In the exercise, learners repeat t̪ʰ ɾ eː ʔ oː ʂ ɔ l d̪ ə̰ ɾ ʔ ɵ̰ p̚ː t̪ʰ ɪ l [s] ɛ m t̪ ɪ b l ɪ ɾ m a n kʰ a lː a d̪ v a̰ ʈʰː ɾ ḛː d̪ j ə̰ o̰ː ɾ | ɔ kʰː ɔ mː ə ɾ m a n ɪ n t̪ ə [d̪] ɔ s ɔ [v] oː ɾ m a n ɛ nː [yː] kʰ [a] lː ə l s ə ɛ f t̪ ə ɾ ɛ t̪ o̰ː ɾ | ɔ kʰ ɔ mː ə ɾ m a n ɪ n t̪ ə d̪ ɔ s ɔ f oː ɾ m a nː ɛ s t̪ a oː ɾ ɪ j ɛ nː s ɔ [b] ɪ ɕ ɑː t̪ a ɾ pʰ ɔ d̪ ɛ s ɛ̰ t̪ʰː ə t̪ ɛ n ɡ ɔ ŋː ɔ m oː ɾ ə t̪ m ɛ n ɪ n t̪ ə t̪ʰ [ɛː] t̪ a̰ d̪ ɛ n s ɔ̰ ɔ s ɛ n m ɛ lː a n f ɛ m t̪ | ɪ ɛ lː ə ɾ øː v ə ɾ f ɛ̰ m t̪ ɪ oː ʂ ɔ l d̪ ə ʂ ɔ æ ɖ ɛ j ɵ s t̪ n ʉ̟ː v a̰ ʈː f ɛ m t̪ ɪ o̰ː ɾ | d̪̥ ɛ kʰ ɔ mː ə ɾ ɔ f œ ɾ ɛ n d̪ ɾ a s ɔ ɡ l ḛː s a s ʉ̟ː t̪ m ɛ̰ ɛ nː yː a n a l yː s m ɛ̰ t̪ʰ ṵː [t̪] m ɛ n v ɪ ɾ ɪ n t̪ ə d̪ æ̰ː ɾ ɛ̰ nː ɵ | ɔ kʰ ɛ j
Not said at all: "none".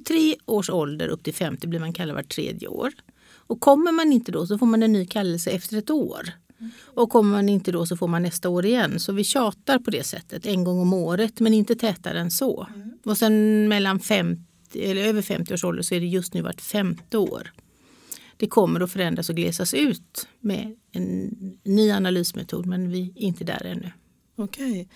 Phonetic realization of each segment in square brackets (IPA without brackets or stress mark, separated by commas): f, d̪, f, yː, a, v, ɛː, d̪